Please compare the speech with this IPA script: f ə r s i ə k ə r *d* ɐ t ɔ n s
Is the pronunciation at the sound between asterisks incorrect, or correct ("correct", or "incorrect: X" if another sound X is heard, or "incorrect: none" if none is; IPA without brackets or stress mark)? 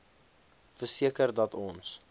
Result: correct